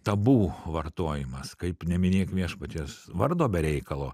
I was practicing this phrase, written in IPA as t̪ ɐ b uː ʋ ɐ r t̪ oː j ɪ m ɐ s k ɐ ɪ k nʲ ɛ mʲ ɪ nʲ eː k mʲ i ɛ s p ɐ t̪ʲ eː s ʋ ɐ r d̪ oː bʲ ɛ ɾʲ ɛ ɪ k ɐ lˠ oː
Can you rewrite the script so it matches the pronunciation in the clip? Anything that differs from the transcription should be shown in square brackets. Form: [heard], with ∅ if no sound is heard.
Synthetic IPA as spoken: t̪ ɐ b uː ʋ ɐ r t̪ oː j ɪ m ɐ s k ɐ ɪ [p] nʲ ɛ mʲ ɪ nʲ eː k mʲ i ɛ [ʃ] p ɐ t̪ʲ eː s ʋ ɐ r d̪ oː bʲ ɛ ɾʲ ɛ ɪ k ɐ lˠ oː